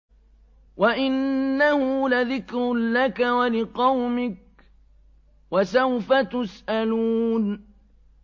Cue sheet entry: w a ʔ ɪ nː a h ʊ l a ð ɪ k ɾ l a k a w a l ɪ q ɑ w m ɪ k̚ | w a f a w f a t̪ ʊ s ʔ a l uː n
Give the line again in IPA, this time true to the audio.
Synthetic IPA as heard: w a ʔ ɪ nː a h ʊ l a ð ɪ k ɾ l a k a w a l ɪ q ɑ w m ɪ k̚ | w a s a w f a t̪ ʊ s ʔ a l uː n